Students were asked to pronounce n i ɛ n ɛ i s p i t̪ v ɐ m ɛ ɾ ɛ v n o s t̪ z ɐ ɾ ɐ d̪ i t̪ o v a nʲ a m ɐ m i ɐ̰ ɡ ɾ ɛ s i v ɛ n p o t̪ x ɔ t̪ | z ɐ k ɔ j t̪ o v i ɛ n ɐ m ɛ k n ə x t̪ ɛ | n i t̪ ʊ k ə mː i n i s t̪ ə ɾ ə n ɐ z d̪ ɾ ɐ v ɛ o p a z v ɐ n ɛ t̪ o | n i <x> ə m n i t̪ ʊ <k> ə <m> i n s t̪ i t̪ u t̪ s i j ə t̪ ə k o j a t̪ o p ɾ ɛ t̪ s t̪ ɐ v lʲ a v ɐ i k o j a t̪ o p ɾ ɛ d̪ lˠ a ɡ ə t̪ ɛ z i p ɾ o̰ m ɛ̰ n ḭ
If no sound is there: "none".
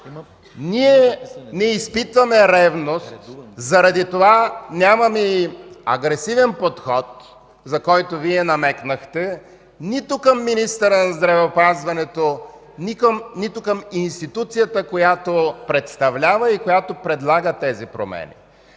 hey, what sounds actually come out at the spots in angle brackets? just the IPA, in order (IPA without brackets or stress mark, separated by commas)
k, k, m